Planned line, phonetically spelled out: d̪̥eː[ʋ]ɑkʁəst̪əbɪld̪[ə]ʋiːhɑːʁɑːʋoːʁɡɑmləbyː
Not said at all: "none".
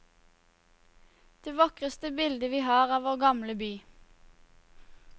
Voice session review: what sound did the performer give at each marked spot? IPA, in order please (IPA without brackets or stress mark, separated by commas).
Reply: ʋ, ə